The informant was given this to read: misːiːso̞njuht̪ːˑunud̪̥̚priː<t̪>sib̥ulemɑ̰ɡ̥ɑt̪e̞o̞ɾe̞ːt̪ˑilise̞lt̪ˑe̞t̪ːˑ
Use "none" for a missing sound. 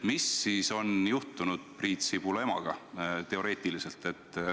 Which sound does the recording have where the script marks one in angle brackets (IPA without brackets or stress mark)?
t̪